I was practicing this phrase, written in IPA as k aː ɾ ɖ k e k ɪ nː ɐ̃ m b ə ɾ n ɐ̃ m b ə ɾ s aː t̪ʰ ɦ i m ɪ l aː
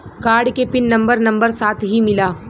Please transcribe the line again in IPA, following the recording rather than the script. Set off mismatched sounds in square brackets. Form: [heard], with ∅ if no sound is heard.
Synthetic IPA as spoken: k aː ɾ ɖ k e [p] ɪ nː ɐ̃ m b ə ɾ n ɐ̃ m b ə ɾ s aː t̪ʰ ɦ i m ɪ l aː